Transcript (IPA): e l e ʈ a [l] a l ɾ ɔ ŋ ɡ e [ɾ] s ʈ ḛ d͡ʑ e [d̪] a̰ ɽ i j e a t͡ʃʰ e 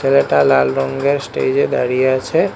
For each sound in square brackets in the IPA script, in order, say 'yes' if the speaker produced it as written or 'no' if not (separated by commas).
yes, yes, yes